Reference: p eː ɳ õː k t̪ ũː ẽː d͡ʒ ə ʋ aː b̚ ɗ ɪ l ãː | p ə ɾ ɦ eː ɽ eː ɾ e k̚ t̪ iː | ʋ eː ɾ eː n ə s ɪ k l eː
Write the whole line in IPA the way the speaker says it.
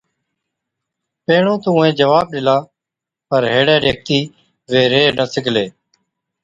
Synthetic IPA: p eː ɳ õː t̪ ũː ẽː d͡ʒ ə ʋ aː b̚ ɗ ɪ l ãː | p ə ɾ ɦ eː ɽ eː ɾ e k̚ t̪ iː | ʋ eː ɾ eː n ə s ɪ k l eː